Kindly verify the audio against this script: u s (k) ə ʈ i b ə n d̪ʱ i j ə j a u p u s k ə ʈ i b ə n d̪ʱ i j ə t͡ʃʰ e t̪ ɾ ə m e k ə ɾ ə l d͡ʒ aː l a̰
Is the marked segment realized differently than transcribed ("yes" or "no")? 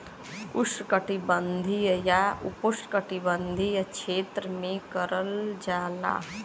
no